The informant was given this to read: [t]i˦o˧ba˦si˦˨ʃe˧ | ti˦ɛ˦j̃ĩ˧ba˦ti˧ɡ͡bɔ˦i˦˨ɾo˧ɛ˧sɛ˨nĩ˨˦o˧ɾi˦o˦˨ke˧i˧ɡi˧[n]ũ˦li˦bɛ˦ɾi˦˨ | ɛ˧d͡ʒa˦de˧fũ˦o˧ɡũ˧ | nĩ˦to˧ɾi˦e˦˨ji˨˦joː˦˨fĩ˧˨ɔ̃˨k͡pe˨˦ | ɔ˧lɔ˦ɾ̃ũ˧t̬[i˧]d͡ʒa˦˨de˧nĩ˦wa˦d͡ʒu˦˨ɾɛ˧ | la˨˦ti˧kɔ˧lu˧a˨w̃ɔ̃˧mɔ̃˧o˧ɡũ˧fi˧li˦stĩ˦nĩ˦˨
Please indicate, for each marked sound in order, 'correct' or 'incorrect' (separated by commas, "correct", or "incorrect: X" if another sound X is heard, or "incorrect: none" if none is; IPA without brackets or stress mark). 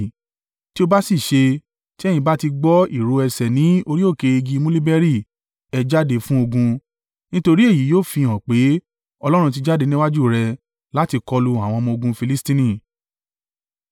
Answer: correct, incorrect: m, correct